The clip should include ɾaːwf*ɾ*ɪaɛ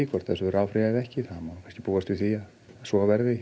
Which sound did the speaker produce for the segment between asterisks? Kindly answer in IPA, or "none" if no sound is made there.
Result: ɾ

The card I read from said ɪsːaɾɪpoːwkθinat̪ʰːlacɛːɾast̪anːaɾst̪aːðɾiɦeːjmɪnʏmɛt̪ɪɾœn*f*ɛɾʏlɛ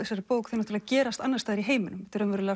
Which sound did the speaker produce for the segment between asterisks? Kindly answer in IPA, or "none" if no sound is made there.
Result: v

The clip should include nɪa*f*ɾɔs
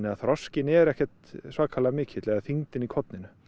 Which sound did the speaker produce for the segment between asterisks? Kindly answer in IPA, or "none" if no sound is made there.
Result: θ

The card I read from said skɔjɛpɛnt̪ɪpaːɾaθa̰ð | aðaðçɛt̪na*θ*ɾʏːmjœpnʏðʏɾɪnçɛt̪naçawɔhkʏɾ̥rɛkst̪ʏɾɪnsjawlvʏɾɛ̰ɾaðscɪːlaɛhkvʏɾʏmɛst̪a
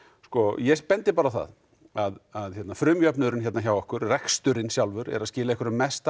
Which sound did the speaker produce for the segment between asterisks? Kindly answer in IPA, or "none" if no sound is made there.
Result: f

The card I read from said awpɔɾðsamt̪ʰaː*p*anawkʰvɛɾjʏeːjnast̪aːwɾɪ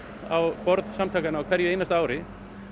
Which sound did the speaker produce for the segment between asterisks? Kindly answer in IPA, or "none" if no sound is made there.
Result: k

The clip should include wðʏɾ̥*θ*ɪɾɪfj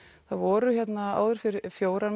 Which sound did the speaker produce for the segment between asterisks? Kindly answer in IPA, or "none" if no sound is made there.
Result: f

